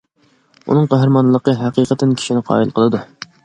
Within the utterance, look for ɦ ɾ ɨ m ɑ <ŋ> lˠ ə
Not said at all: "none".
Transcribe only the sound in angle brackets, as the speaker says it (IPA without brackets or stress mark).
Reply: n